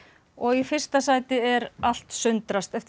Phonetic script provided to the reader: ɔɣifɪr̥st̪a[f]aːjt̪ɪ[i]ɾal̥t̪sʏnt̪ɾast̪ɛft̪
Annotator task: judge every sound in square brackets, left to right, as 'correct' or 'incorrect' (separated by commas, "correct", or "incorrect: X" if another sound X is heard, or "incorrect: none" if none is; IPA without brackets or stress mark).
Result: incorrect: s, incorrect: ɛ